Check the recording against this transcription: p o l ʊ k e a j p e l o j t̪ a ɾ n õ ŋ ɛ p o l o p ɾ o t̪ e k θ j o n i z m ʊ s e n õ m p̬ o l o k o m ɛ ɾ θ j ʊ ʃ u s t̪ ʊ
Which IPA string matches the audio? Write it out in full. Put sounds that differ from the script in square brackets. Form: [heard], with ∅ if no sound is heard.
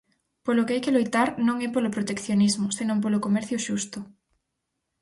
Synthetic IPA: p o l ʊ k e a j [k] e l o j t̪ a ɾ n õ ŋ ɛ p o l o p ɾ o t̪ e k θ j o n i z m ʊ s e n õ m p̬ o l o k o m ɛ ɾ θ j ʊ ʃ u s t̪ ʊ